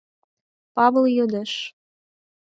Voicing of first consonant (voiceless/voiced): voiceless